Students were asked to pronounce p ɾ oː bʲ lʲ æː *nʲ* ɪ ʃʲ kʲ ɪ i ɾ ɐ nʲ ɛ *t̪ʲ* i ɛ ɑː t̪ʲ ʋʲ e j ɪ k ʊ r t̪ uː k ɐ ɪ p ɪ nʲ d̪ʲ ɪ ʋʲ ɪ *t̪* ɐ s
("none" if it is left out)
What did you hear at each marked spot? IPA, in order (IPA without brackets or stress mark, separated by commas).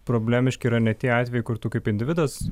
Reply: mʲ, t̪ʲ, d̪